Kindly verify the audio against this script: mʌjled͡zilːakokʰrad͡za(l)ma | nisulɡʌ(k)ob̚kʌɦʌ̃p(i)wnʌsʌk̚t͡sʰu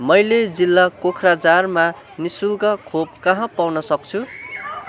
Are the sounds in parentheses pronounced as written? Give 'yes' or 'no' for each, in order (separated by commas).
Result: no, no, no